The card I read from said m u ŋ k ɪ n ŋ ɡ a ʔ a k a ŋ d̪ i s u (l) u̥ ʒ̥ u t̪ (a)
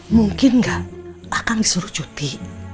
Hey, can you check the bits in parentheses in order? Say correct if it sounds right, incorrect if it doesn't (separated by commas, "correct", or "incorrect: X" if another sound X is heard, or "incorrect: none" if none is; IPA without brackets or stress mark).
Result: incorrect: ɾ, incorrect: i